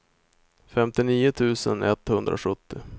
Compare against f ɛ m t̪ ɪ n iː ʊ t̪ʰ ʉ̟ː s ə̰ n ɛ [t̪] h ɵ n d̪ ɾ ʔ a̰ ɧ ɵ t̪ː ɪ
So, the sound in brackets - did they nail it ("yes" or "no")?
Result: yes